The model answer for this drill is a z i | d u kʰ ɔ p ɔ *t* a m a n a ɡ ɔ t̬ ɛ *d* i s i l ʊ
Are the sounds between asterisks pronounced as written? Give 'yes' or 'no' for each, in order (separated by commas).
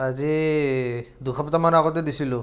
yes, yes